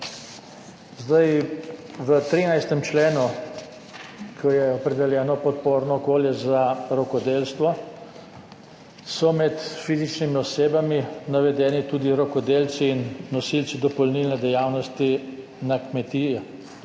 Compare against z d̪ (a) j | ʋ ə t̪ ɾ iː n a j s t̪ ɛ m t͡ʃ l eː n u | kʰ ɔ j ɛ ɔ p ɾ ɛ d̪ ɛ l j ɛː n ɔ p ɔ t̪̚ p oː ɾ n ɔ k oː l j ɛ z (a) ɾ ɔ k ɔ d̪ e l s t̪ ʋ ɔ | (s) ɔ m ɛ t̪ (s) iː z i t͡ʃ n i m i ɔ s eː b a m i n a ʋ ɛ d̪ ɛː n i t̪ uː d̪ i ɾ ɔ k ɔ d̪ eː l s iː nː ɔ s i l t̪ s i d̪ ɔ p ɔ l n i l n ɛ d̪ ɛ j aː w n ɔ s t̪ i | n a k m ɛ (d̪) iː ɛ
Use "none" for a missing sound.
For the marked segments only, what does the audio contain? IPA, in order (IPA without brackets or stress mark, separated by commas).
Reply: a, a, s, f, t̪